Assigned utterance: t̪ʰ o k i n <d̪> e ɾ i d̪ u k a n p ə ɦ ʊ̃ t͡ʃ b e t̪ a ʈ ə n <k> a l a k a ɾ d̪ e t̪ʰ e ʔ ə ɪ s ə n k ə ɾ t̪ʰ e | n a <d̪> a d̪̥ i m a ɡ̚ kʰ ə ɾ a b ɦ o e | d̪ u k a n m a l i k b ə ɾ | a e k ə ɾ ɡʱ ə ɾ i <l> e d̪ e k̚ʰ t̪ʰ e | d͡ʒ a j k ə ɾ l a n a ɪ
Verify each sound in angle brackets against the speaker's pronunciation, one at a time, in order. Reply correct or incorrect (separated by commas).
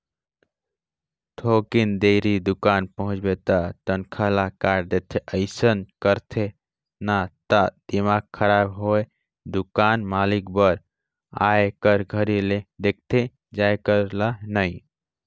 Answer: correct, incorrect, incorrect, correct